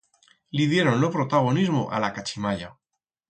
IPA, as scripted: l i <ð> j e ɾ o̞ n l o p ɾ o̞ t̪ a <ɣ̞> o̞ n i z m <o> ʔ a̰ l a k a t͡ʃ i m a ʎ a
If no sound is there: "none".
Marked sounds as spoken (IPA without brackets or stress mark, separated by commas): ð, ɣ̞, o